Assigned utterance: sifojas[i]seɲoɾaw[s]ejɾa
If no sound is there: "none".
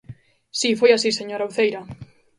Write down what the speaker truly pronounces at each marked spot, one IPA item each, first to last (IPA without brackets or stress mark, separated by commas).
i, θ